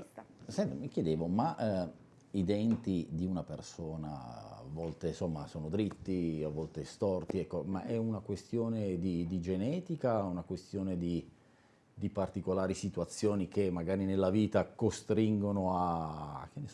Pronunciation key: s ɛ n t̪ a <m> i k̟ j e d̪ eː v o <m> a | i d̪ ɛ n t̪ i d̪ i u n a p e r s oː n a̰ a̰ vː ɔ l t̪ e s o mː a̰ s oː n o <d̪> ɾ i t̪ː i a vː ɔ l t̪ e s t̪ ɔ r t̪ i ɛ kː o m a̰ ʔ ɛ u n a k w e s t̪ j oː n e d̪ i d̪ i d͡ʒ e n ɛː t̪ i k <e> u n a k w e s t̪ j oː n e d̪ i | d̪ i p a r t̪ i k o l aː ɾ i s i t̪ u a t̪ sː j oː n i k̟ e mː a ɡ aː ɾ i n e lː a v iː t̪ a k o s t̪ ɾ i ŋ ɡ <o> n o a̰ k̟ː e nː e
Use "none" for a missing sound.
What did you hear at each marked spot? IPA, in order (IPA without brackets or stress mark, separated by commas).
m, m, d̪, a, o